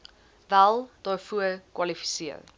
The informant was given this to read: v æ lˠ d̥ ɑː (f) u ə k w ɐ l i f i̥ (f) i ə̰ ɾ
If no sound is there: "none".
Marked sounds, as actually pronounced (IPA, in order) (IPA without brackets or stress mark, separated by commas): f, s